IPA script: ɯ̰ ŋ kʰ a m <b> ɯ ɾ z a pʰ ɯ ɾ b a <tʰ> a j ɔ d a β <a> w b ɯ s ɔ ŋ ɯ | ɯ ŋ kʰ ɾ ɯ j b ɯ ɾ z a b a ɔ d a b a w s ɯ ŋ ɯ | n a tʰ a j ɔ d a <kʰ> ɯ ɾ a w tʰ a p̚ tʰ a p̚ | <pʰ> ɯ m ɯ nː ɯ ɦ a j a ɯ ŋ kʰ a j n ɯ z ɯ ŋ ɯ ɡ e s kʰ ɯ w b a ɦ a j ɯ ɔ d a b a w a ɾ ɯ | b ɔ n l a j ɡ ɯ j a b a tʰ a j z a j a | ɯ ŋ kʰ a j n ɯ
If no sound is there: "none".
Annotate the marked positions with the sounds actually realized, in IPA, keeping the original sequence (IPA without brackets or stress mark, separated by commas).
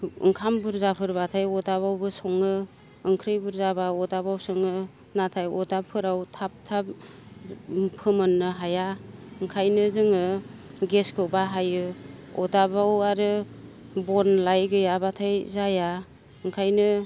b, tʰ, a, pʰ, pʰ